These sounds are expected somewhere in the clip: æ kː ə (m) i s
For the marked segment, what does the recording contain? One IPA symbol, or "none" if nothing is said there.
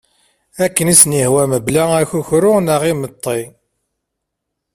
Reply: n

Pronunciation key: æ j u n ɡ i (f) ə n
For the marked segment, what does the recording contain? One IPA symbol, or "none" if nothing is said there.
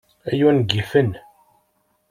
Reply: f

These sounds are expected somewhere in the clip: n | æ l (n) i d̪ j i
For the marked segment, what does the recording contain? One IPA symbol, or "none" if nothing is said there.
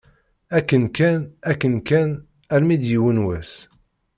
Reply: m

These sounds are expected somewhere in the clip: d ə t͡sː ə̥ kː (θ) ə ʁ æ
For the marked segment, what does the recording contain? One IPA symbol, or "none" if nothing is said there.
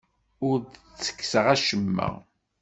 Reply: s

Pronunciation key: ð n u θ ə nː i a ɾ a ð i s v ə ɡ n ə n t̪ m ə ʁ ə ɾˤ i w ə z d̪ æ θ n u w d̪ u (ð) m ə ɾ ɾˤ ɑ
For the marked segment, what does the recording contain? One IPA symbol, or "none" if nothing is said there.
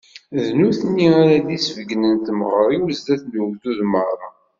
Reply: ð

